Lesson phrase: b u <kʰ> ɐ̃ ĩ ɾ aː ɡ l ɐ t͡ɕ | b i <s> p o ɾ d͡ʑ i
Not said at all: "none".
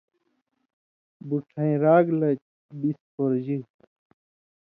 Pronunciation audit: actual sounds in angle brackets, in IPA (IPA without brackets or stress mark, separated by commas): ʈʰ, s